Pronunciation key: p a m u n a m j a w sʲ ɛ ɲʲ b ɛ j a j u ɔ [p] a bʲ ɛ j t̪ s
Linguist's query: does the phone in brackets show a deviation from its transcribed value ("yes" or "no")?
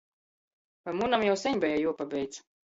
no